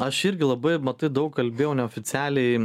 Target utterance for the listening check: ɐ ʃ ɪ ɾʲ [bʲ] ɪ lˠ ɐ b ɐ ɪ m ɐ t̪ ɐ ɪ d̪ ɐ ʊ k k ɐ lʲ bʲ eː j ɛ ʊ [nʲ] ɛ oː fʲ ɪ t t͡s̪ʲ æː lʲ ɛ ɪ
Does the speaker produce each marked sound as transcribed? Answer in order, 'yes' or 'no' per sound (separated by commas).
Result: no, yes